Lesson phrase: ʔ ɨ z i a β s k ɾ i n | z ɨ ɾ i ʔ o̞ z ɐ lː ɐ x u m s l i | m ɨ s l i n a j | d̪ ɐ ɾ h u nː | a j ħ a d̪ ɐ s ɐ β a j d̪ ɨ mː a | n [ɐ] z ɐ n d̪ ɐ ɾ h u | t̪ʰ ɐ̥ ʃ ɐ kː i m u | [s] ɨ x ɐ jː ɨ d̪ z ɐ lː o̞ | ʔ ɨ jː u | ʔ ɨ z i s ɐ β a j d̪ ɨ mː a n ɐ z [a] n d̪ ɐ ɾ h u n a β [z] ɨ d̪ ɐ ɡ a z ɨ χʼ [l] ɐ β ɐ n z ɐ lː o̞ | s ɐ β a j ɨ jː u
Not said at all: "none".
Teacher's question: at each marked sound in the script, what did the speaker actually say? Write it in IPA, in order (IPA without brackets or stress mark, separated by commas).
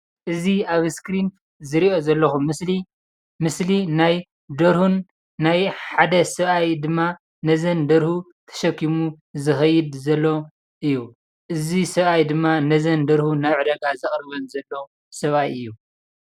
ɐ, z, ɐ, ʕ, ɾ